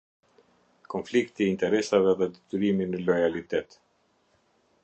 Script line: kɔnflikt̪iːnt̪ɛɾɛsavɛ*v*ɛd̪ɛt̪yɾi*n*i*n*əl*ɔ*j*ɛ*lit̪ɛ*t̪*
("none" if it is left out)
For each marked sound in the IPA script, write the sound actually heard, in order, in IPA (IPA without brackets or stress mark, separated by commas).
ð, m, n, ɔ, a, t̪